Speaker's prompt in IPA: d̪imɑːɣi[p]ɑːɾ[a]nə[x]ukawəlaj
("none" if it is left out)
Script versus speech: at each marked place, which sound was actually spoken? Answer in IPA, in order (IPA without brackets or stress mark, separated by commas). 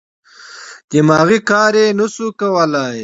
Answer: k, e, s